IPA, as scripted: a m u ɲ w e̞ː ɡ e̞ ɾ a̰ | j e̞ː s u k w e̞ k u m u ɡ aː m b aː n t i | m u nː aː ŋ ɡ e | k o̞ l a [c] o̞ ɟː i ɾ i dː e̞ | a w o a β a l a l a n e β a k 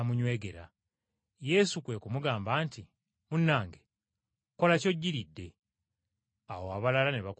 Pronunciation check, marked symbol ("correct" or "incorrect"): correct